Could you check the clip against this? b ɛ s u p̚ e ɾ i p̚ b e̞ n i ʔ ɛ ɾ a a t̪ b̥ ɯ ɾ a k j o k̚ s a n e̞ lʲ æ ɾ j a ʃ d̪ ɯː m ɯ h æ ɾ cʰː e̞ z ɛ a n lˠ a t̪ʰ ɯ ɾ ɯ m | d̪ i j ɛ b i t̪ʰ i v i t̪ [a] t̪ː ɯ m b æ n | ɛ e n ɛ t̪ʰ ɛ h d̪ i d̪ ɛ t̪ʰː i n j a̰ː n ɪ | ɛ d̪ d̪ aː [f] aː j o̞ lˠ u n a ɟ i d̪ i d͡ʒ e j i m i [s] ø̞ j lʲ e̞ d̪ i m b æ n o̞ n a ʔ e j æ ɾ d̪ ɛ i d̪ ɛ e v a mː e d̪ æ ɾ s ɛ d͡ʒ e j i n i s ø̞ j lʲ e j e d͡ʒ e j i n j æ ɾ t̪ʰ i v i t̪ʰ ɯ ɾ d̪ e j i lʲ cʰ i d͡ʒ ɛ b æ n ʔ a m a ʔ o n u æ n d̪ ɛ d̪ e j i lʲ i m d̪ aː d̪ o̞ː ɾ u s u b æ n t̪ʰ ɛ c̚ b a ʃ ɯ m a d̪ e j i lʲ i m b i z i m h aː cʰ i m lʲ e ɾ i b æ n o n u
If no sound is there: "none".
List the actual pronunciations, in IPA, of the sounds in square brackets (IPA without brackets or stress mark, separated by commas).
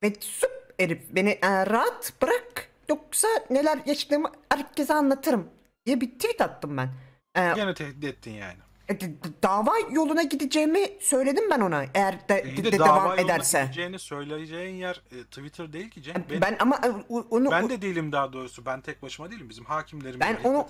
a, v, s